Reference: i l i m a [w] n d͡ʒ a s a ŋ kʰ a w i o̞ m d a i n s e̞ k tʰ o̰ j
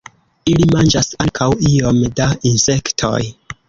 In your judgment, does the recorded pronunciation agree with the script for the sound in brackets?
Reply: no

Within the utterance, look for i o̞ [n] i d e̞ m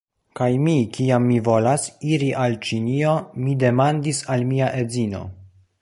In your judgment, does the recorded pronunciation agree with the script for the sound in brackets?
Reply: no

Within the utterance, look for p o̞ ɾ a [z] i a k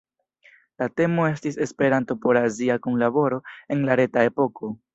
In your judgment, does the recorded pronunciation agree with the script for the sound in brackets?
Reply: yes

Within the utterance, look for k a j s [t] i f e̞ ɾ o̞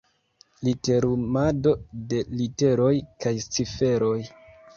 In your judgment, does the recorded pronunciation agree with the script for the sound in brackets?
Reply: no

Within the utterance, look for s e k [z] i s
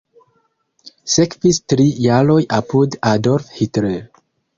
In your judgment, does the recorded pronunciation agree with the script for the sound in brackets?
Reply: no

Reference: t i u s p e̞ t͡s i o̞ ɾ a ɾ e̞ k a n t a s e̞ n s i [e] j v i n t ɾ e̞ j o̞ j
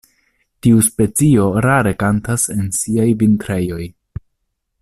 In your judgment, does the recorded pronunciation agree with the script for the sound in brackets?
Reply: no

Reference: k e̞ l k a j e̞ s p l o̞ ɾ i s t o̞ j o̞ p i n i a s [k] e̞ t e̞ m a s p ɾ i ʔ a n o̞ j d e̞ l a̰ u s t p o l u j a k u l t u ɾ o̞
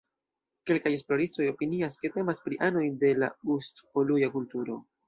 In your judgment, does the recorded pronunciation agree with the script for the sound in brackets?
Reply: yes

